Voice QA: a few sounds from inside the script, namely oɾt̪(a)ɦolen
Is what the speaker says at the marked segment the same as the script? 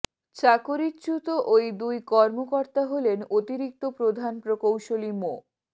yes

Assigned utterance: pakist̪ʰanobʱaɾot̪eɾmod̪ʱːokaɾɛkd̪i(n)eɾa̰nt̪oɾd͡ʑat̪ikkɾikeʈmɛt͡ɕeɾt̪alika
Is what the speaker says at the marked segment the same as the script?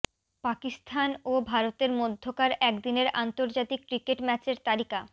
yes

